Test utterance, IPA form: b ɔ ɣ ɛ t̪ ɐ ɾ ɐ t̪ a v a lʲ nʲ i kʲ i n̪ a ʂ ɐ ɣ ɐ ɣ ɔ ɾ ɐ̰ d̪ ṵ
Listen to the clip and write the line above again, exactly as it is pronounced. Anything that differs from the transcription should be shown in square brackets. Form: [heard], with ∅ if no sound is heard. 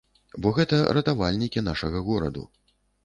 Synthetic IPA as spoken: b ɔ ɣ ɛ t̪ ɐ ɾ ɐ t̪ a v a lʲ nʲ i kʲ i n̪ a ʂ ɐ ɣ ɐ ɣ ɔ ɾ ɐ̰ d̪ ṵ